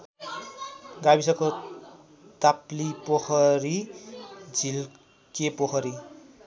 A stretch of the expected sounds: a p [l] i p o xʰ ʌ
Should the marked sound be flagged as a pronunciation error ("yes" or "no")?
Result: no